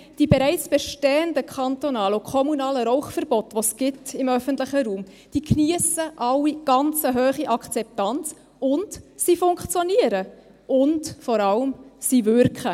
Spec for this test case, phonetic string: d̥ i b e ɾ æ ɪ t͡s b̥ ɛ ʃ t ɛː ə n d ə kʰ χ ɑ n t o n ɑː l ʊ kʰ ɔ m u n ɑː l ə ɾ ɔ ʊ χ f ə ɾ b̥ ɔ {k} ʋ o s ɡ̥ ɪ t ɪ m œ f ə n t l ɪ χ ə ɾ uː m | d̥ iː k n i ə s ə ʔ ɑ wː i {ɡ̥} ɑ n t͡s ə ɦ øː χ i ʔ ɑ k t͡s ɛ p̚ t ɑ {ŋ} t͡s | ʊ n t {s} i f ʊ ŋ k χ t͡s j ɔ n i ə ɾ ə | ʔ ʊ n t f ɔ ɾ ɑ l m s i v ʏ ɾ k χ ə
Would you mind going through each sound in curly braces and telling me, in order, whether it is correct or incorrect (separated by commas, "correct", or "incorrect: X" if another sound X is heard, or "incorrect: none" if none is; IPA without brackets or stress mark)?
incorrect: t, correct, incorrect: n, correct